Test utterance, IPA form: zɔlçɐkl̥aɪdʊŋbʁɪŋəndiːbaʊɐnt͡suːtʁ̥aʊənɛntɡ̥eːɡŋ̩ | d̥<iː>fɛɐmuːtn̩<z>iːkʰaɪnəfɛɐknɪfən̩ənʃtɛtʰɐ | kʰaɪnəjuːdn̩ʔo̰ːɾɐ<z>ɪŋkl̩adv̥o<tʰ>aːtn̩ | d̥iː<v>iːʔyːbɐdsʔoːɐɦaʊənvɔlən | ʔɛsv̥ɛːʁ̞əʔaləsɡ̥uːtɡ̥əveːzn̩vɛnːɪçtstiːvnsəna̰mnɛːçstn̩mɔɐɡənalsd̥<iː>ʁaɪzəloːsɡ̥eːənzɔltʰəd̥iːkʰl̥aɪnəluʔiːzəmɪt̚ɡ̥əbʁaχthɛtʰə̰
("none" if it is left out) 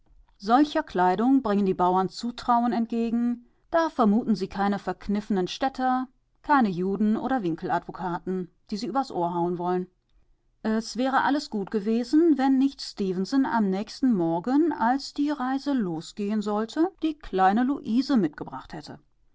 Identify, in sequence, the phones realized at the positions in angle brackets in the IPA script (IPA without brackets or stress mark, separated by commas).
aː, z, v, kʰ, z, iː